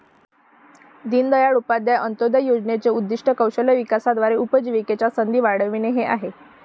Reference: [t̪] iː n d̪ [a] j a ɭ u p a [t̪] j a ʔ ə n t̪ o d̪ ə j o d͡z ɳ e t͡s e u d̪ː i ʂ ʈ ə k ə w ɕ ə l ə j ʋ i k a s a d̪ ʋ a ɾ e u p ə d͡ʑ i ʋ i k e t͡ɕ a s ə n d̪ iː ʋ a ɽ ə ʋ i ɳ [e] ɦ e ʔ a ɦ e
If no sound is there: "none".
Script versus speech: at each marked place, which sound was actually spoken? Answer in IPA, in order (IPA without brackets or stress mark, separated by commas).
d̪, ə, d̪, e